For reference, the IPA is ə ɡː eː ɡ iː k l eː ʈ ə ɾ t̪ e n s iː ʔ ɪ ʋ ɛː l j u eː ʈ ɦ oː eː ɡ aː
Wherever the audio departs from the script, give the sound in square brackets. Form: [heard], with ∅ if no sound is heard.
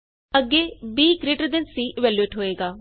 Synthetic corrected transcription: ə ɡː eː [b] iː k [ɾ] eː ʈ ə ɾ [d̪] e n s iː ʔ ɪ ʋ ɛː l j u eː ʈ ɦ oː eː ɡ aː

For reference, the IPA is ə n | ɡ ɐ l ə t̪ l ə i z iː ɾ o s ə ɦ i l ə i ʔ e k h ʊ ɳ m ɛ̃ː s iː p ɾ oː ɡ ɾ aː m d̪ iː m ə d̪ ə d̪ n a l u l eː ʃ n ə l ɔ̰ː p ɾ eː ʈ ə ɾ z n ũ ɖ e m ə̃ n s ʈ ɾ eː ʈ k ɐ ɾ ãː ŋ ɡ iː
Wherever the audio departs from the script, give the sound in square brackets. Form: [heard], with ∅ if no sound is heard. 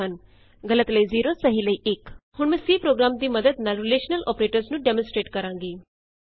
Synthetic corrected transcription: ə n | ɡ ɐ l ə t̪ l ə i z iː ɾ o s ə ɦ i l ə i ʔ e k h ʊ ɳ m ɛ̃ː s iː p ɾ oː ɡ ɾ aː m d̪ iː m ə d̪ ə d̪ n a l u l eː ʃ n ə l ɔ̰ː p ɾ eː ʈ ə ɾ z n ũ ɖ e m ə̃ n s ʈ ɾ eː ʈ k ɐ ɾ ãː ŋ ɡ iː

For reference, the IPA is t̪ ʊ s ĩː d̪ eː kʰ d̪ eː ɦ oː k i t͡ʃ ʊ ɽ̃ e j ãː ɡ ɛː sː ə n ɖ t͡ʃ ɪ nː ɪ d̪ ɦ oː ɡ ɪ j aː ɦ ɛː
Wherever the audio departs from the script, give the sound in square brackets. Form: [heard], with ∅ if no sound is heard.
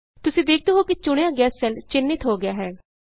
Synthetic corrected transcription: t̪ ʊ s ĩː d̪ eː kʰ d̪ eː ɦ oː k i t͡ʃ ʊ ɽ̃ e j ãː ɡ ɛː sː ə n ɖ t͡ʃ ɪ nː ɪ [t̪] ɦ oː ɡ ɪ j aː ɦ ɛː

